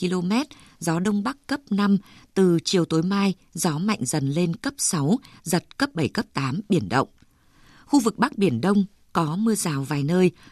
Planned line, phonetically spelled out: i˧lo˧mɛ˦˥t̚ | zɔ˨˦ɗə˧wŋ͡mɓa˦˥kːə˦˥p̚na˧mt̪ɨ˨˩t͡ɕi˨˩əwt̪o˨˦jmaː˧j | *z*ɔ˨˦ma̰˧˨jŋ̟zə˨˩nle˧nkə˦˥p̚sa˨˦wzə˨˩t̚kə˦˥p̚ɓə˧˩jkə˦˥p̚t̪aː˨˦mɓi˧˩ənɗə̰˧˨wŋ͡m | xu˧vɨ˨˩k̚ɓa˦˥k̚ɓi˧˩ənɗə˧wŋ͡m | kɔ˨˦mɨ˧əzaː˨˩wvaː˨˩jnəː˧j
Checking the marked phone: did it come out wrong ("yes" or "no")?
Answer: no